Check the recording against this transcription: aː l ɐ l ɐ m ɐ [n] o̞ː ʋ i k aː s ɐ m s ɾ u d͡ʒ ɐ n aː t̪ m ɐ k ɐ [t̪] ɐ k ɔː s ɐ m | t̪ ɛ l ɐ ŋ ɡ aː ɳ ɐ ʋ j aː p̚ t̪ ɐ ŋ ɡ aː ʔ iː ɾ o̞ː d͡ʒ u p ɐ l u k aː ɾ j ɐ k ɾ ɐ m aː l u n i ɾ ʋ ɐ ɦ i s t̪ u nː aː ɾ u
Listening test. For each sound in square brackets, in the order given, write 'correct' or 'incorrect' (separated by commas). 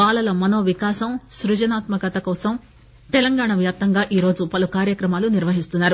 correct, correct